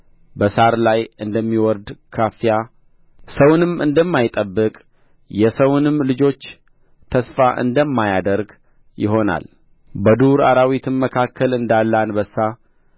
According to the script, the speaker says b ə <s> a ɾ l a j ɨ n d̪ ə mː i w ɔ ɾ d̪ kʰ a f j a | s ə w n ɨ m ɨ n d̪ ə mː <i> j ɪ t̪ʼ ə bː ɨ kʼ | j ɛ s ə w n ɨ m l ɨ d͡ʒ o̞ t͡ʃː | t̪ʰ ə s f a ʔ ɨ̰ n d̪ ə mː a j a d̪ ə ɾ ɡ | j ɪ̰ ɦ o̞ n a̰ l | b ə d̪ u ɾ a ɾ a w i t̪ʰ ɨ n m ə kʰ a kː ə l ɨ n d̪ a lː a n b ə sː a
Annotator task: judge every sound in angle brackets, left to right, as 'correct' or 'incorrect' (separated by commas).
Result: correct, incorrect